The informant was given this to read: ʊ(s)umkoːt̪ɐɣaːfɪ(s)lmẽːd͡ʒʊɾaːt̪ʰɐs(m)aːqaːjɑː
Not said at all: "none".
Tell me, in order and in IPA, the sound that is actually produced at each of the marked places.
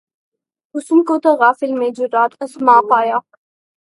s, none, m

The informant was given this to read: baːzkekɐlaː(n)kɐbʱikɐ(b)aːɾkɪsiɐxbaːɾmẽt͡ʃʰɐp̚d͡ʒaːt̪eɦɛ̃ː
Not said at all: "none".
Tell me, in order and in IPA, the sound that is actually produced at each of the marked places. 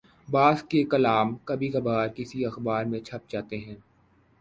m, b

